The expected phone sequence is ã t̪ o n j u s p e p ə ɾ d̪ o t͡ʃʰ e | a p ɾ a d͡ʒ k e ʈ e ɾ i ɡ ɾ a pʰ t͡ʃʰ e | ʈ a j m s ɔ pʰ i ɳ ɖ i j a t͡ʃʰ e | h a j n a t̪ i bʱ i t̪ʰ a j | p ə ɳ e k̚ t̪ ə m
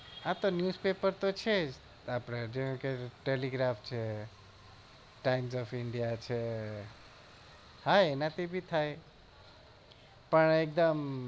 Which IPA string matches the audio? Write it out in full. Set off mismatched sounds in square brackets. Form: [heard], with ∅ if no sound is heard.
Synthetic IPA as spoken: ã t̪ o n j u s p e p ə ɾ [t̪] o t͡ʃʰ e | a p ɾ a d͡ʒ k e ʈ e [l] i ɡ ɾ a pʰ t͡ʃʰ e | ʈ a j m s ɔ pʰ i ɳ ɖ i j a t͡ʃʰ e | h a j n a t̪ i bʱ i t̪ʰ a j | p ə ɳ e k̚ [d̪] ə m